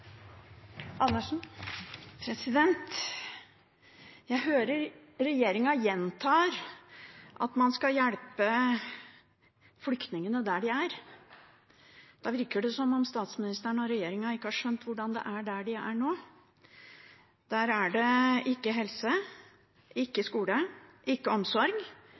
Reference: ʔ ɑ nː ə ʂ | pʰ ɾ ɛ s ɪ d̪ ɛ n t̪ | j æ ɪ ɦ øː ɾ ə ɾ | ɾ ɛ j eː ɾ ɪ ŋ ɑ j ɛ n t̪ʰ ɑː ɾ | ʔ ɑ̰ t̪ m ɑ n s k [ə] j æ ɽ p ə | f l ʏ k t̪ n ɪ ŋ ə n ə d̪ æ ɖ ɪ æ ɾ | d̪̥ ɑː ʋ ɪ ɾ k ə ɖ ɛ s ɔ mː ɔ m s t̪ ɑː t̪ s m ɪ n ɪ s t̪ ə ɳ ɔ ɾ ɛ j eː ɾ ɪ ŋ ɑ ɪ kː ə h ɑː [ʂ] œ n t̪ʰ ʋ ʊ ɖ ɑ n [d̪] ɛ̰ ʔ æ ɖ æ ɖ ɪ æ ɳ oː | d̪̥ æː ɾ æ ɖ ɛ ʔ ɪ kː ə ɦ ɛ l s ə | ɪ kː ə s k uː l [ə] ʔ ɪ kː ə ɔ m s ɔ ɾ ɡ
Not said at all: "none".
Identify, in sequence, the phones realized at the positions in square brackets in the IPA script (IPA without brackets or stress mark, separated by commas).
ɑ, ʂ, d̪, ə